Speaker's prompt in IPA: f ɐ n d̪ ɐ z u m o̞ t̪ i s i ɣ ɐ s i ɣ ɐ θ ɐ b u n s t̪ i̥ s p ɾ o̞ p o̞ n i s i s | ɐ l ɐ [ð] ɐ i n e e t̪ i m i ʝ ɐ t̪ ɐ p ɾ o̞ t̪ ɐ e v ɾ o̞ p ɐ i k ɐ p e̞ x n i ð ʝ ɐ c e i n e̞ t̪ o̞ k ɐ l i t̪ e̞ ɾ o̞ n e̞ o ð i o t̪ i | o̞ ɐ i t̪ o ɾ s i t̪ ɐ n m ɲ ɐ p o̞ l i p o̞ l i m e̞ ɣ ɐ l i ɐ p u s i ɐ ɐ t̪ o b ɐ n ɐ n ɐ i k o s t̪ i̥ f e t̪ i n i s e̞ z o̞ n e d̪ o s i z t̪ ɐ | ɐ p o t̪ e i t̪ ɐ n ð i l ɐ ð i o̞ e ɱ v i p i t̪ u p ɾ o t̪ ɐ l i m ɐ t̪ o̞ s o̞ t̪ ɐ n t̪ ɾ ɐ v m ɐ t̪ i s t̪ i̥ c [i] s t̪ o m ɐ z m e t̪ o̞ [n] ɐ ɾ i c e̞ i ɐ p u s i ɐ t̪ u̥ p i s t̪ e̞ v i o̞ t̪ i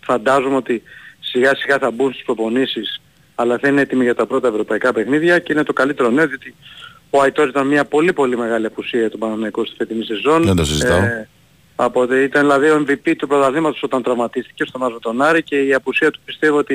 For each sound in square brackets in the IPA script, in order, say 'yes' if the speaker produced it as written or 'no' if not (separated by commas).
no, no, yes